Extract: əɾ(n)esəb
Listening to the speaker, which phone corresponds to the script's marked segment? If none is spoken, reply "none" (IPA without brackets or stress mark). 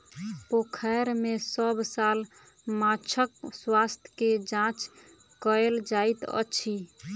m